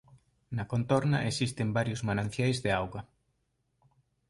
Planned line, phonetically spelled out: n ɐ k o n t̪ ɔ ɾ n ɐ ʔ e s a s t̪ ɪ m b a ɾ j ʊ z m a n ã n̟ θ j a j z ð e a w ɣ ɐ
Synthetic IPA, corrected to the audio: n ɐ k o n t̪ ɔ ɾ n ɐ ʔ e s i s t̪ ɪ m b a ɾ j ʊ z m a n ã n̟ θ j a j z ð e a w ɣ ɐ